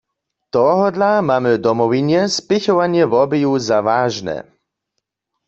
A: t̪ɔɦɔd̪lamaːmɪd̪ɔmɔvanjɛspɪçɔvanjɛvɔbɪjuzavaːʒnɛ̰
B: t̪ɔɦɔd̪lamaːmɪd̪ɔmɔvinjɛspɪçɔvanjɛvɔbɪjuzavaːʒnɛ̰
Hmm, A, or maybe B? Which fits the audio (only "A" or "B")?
B